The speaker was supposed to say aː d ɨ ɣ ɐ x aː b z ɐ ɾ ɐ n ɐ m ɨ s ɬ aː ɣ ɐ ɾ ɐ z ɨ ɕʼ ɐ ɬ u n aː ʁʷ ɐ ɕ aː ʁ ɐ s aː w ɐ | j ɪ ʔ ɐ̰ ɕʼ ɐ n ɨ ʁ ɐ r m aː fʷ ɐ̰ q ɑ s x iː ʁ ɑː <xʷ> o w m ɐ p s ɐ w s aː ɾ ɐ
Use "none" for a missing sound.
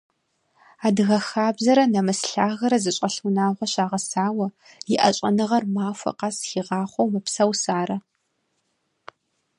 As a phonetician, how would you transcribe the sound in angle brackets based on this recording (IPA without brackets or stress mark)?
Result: χʷ